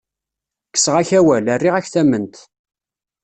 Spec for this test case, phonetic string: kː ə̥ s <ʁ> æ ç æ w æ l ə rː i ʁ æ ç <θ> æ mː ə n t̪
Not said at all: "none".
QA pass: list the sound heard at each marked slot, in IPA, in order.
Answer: ʁ, θ

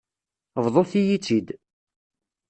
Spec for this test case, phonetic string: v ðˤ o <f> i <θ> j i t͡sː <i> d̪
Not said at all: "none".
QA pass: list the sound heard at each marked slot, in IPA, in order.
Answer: θ, none, i

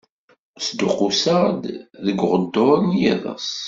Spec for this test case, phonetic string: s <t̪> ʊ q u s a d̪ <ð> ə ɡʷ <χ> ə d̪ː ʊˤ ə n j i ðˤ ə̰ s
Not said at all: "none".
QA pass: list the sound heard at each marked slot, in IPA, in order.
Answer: d̪, ð, ʁ

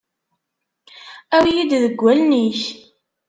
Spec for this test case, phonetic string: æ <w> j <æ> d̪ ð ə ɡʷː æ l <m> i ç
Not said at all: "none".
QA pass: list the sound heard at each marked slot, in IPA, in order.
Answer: w, i, n

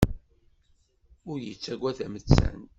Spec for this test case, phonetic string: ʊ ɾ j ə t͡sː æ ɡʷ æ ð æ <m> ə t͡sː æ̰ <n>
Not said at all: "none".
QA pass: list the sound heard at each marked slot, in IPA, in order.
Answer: m, n

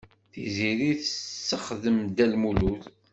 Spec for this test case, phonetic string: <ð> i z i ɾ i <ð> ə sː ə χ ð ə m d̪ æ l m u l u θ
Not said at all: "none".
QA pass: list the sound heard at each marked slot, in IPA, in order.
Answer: θ, θ

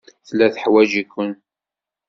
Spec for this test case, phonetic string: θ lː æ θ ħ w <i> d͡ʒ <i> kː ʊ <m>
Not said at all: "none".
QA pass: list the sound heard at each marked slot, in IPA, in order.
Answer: æ, i, n

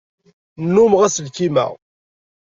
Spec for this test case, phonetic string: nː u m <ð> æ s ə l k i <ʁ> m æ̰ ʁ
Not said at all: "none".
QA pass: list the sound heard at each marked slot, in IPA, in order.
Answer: ʁ, none

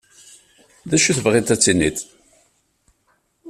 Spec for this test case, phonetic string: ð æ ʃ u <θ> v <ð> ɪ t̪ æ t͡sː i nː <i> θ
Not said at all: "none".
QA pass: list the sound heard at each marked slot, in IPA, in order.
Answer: θ, ʁ, i

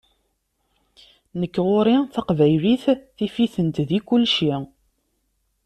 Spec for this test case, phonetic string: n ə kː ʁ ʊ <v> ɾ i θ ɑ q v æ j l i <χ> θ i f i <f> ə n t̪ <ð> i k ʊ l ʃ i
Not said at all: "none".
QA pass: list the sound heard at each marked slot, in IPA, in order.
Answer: none, θ, θ, ð

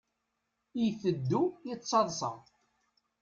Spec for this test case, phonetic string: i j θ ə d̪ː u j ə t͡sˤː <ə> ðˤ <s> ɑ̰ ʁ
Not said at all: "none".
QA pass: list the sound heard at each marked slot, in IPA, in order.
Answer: ɑ, s

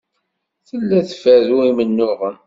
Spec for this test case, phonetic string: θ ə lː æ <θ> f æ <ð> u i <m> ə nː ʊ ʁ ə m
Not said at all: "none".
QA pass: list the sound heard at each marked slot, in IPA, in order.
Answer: θ, ð, m

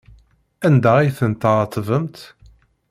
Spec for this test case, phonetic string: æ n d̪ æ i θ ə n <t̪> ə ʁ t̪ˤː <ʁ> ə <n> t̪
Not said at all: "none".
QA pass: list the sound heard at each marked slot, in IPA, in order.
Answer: t̪, v, m

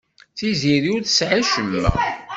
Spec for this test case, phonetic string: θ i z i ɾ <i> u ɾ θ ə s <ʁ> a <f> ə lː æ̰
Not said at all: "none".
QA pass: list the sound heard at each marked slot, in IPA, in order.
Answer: i, ʕ, ʃ

